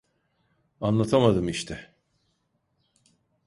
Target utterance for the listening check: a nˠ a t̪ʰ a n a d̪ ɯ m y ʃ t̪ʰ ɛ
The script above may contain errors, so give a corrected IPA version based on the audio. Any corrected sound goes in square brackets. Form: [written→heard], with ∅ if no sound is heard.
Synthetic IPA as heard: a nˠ a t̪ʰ a [n→m] a d̪ ɯ m [y→i] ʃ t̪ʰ ɛ